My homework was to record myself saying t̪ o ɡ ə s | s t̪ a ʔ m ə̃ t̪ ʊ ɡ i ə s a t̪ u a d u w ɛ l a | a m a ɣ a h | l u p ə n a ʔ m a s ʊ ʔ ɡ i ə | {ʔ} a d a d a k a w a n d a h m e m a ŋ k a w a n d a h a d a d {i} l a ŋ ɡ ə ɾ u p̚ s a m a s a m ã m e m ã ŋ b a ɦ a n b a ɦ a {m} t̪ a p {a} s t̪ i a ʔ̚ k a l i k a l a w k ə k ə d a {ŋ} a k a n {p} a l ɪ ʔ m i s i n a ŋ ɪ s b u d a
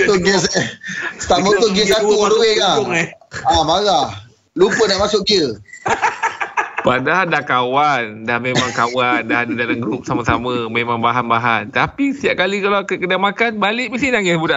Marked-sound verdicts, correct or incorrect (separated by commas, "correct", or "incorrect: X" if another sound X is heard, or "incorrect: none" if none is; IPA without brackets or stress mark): incorrect: p, incorrect: a, incorrect: n, incorrect: i, incorrect: m, incorrect: b